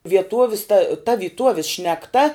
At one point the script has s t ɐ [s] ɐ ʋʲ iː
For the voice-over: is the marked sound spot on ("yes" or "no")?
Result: no